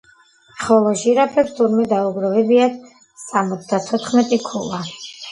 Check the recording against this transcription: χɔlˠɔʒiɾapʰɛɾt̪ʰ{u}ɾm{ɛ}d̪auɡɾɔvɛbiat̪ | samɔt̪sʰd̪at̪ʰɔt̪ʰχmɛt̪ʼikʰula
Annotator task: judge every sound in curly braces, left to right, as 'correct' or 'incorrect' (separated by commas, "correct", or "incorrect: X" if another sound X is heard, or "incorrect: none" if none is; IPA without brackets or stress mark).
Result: correct, correct